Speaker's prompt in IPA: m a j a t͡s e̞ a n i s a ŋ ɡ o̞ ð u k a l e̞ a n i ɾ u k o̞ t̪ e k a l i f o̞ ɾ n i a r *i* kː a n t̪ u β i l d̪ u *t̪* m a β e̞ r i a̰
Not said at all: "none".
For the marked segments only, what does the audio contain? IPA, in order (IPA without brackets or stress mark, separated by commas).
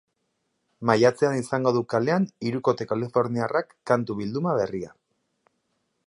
a, none